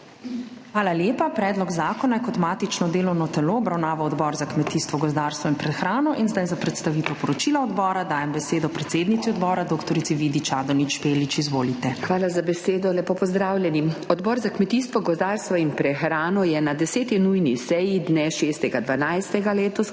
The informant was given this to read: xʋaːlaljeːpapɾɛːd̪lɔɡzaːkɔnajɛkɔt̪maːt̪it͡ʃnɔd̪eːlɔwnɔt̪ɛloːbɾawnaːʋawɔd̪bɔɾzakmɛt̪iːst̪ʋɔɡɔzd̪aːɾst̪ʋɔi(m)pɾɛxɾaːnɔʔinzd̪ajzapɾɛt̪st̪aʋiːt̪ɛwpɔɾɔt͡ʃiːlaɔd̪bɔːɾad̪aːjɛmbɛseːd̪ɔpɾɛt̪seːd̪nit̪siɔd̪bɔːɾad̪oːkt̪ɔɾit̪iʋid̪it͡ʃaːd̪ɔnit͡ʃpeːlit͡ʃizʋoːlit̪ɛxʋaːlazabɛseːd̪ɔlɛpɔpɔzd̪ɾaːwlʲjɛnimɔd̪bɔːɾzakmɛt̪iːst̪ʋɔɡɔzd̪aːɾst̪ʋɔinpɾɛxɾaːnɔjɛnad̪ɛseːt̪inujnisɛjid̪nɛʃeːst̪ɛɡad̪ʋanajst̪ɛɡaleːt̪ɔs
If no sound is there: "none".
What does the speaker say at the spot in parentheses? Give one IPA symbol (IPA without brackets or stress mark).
n